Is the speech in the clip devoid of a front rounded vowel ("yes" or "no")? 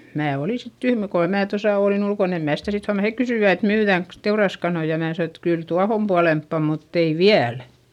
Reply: no